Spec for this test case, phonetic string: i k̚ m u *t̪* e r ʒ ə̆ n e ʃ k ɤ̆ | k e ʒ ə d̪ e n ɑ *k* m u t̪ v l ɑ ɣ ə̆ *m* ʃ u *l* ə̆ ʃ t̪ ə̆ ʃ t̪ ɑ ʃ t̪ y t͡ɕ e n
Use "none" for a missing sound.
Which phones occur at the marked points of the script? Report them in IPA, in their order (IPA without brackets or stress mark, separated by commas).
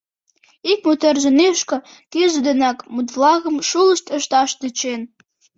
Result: t̪, k, m, l